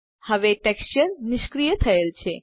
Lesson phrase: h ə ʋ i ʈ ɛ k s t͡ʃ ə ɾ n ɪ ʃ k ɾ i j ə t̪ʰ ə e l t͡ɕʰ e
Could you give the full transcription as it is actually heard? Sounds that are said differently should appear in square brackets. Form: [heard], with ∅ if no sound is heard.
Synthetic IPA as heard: h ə ʋ [e] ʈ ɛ k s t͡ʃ ə ɾ n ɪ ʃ k ɾ i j ə t̪ʰ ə e l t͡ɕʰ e